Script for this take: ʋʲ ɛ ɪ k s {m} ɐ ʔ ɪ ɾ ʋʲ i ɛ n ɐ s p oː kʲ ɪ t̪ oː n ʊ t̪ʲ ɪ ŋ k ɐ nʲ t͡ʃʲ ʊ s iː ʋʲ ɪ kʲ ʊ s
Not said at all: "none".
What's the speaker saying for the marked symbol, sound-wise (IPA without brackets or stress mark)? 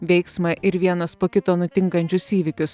m